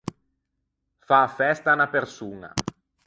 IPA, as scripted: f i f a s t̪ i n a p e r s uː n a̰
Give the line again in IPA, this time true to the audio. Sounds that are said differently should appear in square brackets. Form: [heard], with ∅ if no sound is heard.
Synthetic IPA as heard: f [a] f [ɛ] s t̪ [a] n a p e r s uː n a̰

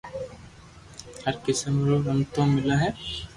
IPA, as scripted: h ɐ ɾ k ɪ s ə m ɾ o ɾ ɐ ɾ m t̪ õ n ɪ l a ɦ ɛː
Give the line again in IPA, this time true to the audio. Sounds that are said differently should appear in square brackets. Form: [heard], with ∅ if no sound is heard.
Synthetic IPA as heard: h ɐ ɾ k ɪ s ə m ɾ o ɾ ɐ [∅] m t̪ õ [m] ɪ l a ɦ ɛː

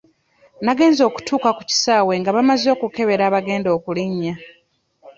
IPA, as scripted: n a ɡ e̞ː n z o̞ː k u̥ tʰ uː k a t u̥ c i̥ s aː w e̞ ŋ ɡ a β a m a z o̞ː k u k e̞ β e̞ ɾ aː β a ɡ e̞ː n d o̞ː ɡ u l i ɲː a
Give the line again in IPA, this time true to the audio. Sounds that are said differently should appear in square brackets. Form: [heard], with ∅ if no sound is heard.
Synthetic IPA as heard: n a ɡ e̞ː n z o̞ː k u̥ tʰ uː k a [k] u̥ c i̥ s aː w e̞ ŋ ɡ a β a m a z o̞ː k u k e̞ β e̞ ɾ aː β a ɡ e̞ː n d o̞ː [k] u l i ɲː a

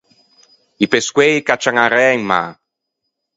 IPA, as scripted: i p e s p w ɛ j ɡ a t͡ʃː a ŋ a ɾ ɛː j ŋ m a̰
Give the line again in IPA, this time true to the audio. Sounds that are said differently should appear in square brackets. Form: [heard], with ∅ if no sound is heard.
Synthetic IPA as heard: i p e s [k] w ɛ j [k] a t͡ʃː a ŋ a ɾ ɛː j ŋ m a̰

